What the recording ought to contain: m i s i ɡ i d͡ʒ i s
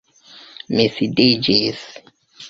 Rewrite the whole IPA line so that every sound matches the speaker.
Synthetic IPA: m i s i d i d͡ʒ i s